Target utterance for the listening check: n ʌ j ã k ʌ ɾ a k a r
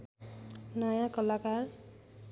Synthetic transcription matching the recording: n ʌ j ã k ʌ l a k a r